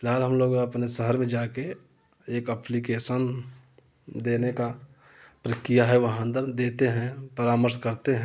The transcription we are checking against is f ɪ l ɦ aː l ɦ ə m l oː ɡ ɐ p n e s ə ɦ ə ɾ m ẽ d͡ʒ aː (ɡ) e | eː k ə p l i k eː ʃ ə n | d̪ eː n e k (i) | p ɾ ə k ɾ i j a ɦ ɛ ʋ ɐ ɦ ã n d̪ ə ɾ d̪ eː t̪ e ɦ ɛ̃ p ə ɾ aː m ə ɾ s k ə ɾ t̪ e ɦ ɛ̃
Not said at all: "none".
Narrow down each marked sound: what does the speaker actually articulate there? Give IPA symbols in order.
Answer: k, a

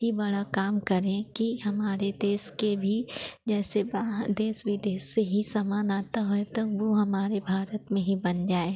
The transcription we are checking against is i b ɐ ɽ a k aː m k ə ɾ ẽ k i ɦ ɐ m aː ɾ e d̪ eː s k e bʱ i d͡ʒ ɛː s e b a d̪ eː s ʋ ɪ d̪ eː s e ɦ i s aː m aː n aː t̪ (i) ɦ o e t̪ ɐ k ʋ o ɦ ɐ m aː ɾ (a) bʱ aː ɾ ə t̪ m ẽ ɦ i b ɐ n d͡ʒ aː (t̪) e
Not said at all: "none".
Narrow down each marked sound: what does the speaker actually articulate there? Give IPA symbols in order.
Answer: a, e, none

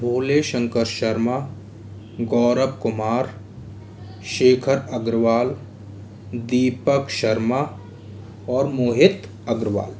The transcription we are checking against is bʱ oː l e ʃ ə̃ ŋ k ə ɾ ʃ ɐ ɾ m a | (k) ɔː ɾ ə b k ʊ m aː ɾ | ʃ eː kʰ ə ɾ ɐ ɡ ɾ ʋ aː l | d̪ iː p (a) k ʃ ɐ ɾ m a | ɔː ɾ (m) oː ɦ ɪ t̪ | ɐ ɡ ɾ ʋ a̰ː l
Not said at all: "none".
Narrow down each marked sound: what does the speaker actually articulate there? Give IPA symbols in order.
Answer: ɡ, ə, m

